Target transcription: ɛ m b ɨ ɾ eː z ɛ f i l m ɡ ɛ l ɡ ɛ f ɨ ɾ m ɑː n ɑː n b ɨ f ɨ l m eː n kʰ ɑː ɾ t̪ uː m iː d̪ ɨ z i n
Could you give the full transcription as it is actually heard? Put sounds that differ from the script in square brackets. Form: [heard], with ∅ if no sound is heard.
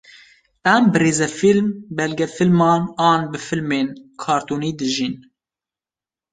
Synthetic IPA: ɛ m b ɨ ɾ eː z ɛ f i l m [b] ɛ l ɡ ɛ f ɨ [l] m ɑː n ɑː n b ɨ f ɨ l m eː n kʰ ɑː ɾ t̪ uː [n] iː d̪ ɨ [ʒ] i n

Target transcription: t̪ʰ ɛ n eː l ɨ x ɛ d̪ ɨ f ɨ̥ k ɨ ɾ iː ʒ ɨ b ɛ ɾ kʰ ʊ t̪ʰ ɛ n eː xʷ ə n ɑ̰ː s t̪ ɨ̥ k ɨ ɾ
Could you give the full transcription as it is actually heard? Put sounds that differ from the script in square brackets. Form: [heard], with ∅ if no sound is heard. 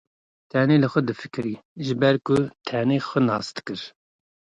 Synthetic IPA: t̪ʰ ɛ n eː l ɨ x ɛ d̪ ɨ f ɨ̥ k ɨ ɾ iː ʒ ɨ b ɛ ɾ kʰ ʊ t̪ʰ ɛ n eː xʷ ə n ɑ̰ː s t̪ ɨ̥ k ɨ ɾ

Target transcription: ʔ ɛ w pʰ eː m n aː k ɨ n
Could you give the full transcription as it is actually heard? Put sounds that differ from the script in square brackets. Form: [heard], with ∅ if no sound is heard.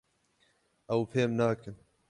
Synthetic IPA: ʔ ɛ w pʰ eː m n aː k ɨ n

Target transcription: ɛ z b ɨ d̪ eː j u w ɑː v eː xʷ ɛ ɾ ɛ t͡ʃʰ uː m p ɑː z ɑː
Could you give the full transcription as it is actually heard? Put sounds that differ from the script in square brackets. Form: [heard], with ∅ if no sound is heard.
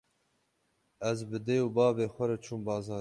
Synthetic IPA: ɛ z b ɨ d̪ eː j u [b] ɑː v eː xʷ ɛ ɾ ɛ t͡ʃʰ uː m [b] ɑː z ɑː

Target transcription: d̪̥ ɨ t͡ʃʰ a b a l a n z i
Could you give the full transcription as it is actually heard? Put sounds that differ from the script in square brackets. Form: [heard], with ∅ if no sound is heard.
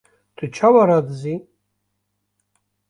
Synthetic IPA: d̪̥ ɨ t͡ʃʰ a [w] a [ɾ] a [d] z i

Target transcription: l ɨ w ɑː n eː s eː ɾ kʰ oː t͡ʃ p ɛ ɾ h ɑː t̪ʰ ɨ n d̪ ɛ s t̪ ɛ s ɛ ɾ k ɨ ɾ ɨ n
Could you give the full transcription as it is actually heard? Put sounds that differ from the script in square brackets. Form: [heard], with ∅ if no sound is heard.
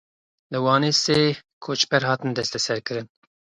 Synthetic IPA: l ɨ w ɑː n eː s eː [∅] kʰ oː t͡ʃ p ɛ ɾ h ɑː [t̪] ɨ n d̪ ɛ s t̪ ɛ s ɛ ɾ k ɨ ɾ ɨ n

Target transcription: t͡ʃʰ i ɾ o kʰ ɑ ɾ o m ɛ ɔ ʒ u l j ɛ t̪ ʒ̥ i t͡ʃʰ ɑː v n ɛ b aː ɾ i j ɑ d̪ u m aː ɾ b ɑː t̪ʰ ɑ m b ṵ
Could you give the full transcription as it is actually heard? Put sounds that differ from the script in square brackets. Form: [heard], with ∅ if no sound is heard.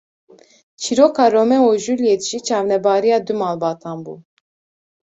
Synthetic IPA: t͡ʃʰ i ɾ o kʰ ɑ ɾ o m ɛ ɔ ʒ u l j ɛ t̪ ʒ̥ i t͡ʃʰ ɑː v n ɛ b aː ɾ i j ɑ d̪ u m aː [l] b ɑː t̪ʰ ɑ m b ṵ

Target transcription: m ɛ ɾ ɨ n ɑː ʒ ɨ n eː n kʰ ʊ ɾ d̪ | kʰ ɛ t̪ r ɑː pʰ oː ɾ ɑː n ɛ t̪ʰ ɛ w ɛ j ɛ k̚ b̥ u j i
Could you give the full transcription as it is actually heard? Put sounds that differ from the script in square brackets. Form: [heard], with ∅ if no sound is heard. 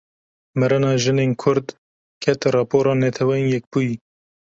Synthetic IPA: m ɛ ɾ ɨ n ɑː ʒ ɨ n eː n kʰ ʊ ɾ d̪ | kʰ ɛ t̪ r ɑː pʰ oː ɾ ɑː n ɛ t̪ʰ ɛ w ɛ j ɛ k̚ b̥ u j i

